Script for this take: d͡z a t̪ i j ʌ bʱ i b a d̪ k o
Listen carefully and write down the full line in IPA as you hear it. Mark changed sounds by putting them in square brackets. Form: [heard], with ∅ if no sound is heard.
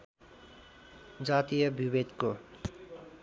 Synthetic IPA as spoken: d͡z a t̪ i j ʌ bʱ i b [e] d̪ k o